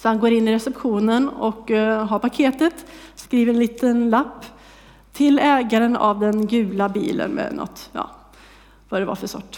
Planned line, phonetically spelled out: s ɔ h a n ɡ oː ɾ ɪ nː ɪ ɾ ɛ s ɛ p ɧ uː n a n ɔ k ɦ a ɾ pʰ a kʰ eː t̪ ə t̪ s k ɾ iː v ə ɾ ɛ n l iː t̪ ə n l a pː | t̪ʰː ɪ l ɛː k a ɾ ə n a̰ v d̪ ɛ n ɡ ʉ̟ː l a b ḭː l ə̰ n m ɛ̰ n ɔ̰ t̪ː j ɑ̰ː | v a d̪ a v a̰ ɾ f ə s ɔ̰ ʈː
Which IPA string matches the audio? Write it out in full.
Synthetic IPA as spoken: s ɔ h a n ɡ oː ɾ ɪ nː ɪ ɾ ɛ s ɛ p ɧ uː n ə n ɔ k ɦ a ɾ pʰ a kʰ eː t̪ ə t̪ s k ɾ iː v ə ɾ ɛ n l iː t̪ ə n l a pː | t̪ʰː ɪ l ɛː ɡ a ɾ ə n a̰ v d̪ ɛ n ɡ ʉ̟ː l a b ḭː l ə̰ n m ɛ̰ n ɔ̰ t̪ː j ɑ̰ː | v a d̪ ɛ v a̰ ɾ f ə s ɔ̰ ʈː